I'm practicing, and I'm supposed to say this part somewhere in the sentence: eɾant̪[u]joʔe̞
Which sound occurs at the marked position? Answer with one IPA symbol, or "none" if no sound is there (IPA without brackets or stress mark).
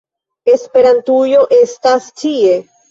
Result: u